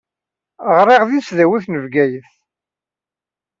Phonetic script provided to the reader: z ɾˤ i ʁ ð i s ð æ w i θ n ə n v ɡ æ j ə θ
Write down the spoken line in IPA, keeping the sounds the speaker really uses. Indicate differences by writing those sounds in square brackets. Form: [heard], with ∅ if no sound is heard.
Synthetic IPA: [ʁ] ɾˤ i ʁ ð i s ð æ w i θ n ə [∅] v ɡ æ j ə θ